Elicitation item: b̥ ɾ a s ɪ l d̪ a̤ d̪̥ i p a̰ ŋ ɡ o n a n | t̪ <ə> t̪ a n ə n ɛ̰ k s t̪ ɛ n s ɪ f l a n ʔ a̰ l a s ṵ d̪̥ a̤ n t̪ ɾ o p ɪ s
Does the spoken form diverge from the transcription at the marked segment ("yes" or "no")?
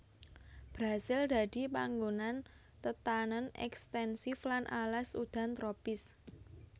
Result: no